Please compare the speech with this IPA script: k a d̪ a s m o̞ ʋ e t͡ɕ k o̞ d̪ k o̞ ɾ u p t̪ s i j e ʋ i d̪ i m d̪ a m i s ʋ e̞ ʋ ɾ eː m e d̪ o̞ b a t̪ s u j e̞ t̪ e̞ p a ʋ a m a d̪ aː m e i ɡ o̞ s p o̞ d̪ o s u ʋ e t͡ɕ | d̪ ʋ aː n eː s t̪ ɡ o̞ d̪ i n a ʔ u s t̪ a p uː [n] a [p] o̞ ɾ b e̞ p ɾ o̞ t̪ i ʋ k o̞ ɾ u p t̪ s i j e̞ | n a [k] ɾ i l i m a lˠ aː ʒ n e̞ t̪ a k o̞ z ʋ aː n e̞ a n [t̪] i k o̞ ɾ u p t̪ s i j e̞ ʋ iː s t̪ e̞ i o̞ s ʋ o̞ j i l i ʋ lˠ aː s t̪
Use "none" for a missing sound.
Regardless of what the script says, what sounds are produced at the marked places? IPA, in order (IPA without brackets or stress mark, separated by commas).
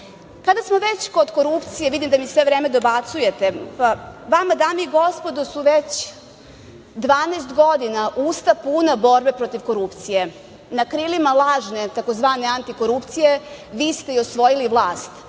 n, b, k, t̪